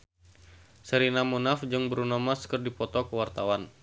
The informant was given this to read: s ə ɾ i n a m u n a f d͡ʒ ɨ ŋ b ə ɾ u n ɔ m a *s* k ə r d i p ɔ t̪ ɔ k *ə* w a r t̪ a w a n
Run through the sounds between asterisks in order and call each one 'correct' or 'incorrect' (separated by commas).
correct, correct